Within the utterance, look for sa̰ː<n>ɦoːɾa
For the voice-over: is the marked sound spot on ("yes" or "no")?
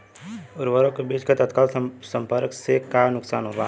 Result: yes